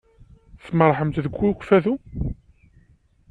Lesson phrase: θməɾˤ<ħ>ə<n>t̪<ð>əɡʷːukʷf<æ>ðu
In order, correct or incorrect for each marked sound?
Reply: correct, incorrect: m, correct, correct

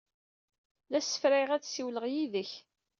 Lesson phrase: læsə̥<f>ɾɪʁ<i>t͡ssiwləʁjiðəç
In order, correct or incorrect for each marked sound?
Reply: correct, incorrect: æ

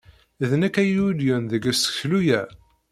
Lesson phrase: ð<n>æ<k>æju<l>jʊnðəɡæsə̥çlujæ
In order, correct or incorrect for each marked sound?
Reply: correct, correct, correct

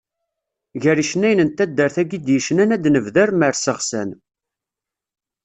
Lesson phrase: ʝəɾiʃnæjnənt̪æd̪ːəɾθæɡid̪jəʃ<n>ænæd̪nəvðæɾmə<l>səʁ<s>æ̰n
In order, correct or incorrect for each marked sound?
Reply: correct, incorrect: ɾ, correct

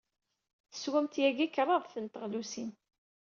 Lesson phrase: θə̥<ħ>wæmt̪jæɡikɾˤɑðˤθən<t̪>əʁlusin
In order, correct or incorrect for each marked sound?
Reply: incorrect: s, correct

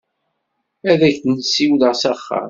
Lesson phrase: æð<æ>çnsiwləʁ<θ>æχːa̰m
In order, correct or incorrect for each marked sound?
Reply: correct, incorrect: s

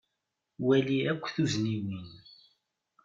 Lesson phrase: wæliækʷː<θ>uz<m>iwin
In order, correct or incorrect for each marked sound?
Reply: correct, incorrect: n

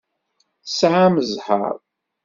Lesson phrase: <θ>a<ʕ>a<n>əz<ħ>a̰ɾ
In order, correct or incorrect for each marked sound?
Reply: incorrect: s, correct, incorrect: m, correct

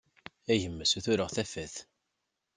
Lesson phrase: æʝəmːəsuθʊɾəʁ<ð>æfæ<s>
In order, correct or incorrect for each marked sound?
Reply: incorrect: θ, incorrect: θ

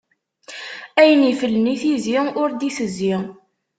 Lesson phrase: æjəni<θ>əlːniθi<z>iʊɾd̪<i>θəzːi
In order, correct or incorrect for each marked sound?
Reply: incorrect: f, correct, correct

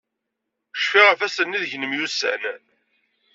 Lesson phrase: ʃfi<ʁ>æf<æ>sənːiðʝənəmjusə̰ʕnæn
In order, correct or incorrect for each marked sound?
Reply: correct, correct

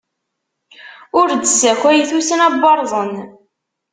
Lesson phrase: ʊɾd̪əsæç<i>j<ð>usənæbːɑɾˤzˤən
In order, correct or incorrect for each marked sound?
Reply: incorrect: æ, incorrect: θ

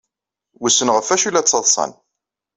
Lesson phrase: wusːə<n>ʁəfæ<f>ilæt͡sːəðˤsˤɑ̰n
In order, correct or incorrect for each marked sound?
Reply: correct, incorrect: ʃ

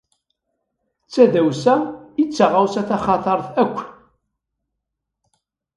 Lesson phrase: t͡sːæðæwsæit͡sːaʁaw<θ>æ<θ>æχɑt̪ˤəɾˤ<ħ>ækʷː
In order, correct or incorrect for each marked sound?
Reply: incorrect: s, correct, incorrect: θ

